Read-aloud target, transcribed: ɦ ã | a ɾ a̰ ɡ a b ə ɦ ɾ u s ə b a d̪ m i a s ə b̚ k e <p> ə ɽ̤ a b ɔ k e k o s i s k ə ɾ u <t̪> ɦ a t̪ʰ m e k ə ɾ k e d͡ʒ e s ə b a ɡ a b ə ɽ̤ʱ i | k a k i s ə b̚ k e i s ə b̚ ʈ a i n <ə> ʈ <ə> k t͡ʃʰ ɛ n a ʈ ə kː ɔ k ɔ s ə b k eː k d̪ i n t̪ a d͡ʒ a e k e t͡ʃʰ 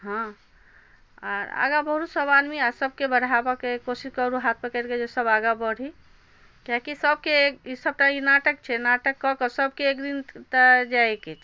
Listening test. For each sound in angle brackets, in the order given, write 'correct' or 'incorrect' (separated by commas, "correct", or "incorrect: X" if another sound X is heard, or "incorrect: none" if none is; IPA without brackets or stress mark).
incorrect: b, incorrect: none, incorrect: a, correct